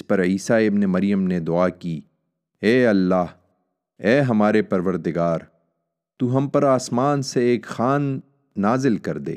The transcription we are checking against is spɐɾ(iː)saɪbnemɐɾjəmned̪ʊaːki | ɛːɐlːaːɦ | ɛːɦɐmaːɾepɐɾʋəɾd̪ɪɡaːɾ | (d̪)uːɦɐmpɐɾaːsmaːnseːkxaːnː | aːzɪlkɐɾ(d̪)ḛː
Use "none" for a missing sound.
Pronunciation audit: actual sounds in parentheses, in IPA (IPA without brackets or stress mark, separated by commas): iː, t̪, d̪